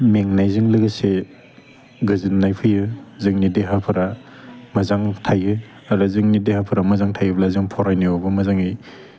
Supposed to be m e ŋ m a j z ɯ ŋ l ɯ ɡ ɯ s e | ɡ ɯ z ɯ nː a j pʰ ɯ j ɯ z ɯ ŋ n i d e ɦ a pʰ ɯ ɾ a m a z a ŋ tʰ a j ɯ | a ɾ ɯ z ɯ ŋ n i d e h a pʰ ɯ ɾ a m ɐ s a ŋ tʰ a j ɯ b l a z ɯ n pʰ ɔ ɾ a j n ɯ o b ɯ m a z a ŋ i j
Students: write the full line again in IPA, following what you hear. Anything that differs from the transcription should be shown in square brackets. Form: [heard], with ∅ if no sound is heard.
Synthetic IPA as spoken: m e ŋ [n] a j z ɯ ŋ l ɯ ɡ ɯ s e | ɡ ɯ z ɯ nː a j pʰ ɯ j ɯ z ɯ ŋ n i d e ɦ a pʰ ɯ ɾ a m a z a ŋ tʰ a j ɯ | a ɾ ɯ z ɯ ŋ n i d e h a pʰ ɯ ɾ a m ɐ [z] a ŋ tʰ a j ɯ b l a z ɯ [ŋ] pʰ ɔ ɾ a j n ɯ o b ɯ m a z a ŋ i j